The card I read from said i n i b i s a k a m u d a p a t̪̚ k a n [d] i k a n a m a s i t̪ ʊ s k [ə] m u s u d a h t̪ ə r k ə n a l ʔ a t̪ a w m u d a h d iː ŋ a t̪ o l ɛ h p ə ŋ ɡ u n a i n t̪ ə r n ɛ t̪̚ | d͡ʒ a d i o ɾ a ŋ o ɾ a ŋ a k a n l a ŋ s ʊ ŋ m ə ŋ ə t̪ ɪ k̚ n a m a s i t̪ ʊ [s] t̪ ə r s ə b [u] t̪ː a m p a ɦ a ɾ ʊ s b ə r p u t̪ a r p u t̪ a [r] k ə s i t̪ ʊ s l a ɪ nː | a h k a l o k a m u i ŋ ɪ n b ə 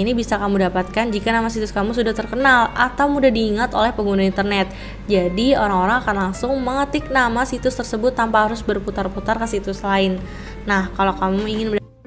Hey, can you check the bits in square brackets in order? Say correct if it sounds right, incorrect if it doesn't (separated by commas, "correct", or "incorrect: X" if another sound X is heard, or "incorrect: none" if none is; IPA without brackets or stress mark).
incorrect: d͡ʒ, incorrect: a, correct, incorrect: ʊ, correct